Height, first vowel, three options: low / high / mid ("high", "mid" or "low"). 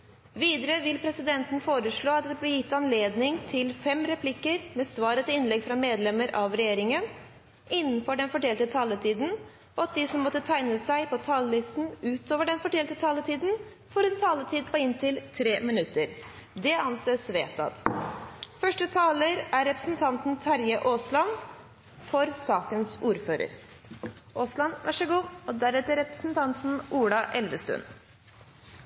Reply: high